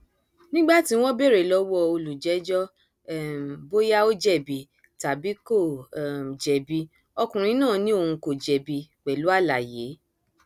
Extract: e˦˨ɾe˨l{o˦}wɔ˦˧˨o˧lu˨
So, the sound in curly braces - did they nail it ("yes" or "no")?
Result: no